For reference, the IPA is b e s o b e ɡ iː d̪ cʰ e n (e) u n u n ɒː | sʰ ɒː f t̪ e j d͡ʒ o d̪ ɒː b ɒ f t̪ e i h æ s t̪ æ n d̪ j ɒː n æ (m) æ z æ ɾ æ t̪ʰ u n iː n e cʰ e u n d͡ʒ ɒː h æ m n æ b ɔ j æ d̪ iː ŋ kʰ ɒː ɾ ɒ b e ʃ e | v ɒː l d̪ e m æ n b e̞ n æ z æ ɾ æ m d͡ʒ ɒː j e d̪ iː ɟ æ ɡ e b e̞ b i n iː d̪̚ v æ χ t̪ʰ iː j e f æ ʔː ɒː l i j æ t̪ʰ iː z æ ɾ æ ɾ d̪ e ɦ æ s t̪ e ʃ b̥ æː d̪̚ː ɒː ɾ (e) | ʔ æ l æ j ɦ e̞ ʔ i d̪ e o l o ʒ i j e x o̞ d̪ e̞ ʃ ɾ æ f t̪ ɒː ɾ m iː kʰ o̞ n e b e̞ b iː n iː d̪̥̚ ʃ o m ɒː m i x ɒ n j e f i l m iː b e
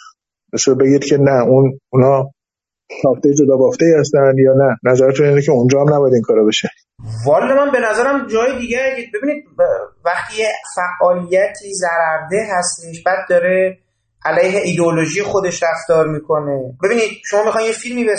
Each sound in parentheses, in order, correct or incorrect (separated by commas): incorrect, incorrect, correct